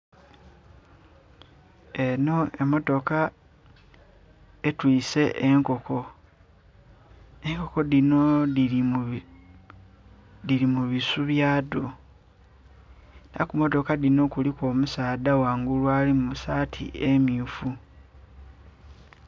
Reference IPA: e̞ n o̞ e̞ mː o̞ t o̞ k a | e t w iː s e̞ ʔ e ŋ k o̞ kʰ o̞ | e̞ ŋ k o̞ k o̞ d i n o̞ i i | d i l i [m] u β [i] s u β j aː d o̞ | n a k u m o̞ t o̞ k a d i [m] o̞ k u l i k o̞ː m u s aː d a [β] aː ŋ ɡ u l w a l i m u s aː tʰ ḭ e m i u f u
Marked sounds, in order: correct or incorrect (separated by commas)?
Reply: correct, correct, incorrect, incorrect